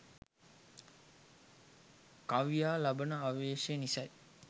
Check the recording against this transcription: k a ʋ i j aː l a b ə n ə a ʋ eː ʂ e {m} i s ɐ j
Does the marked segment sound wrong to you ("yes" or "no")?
yes